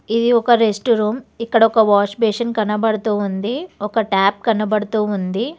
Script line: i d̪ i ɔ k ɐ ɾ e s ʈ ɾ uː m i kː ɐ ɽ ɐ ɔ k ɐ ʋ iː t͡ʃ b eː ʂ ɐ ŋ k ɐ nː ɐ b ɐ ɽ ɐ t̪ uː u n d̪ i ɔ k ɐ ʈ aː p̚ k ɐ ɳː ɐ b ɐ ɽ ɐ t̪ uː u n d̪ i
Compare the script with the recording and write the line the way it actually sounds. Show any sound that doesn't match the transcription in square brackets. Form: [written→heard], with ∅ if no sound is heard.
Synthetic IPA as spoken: i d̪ i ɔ k ɐ ɾ e s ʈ ɾ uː m i kː ɐ ɽ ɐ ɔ k ɐ ʋ [iː→aː] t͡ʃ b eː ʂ ɐ [ŋ→n] k ɐ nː ɐ b ɐ ɽ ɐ t̪ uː u n d̪ i ɔ k ɐ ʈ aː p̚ k ɐ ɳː ɐ b ɐ ɽ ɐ t̪ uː u n d̪ i